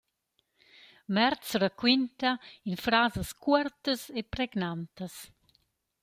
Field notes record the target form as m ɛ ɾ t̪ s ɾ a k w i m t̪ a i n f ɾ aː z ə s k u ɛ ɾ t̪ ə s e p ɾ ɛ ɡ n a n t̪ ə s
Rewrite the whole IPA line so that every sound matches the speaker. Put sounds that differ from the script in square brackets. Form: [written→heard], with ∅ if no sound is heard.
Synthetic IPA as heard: m ɛ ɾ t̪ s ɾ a k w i [m→n] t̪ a i n f ɾ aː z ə s k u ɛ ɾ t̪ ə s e p ɾ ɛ ɡ n a n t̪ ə s